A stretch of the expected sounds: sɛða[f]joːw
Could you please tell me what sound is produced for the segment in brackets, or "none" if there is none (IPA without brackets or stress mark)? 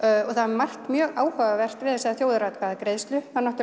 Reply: θ